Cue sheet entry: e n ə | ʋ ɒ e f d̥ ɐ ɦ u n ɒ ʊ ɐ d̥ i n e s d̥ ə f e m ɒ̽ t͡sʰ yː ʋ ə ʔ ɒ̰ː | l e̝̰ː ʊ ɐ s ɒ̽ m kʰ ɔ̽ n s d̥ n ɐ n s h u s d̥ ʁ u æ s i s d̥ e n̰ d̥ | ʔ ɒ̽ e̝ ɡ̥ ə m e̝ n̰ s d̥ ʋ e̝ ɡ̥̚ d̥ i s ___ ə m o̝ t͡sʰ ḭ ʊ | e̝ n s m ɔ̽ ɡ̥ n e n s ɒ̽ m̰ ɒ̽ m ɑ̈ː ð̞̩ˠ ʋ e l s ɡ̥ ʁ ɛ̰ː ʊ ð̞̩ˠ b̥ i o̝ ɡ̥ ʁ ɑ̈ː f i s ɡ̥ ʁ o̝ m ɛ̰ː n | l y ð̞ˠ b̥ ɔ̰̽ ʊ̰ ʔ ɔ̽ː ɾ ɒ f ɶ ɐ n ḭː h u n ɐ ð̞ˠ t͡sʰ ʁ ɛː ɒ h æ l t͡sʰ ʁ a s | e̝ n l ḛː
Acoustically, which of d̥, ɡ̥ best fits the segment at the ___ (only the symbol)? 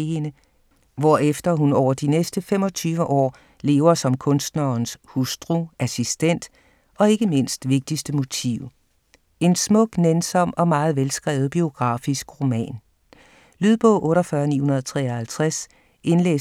d̥